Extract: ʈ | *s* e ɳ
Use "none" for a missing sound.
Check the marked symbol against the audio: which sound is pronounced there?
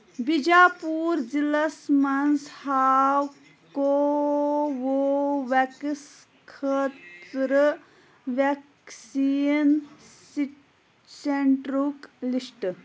s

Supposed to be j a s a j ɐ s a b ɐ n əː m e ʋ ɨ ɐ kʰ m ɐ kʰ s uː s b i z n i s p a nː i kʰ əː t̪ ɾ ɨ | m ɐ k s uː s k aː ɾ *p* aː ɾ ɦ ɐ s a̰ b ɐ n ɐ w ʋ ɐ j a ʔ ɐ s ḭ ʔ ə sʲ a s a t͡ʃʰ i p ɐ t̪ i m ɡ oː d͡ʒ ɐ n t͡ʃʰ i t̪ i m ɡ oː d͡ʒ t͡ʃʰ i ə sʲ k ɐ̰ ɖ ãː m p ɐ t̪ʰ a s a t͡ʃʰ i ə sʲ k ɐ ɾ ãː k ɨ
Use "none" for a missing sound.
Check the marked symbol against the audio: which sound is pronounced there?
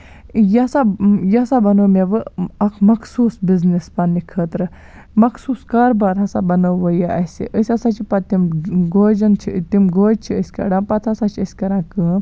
b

